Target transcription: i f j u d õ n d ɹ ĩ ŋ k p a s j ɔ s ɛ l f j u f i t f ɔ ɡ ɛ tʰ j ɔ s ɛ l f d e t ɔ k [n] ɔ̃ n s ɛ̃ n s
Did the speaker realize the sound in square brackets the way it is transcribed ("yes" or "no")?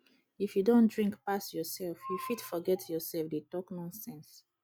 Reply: yes